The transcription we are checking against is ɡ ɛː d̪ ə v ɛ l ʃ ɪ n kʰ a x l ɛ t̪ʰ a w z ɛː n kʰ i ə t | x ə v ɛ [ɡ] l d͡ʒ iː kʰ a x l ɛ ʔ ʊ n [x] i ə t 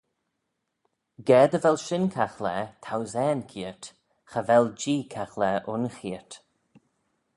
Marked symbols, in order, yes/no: no, yes

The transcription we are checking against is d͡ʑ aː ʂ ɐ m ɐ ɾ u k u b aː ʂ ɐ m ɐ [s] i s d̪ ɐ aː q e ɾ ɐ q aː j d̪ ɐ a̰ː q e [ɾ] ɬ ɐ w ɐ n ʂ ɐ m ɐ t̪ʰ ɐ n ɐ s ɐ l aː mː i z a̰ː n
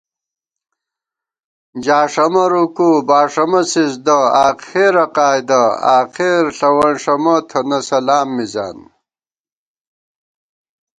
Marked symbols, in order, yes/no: yes, yes

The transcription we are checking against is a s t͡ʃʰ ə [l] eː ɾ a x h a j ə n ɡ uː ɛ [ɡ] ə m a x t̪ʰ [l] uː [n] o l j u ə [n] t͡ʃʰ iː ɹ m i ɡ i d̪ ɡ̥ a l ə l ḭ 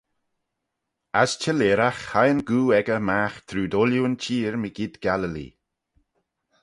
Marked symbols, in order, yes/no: yes, yes, no, no, yes

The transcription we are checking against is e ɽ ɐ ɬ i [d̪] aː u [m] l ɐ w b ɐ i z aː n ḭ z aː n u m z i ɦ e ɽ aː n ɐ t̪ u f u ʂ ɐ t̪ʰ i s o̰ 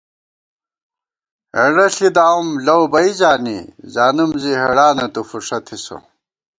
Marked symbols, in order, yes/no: yes, yes

